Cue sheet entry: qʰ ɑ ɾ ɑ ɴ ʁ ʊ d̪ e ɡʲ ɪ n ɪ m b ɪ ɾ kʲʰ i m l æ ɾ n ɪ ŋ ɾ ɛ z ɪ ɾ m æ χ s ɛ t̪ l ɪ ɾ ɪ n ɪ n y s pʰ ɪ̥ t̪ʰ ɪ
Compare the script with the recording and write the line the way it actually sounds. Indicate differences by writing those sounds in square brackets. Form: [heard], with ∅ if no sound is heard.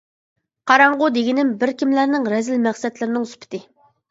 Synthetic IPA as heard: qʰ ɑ ɾ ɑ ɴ ʁ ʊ d̪ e ɡʲ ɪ n ɪ m b ɪ ɾ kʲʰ i m l æ ɾ n ɪ ŋ ɾ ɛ z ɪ [l] m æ χ s ɛ t̪ l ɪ ɾ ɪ n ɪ [ŋ] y s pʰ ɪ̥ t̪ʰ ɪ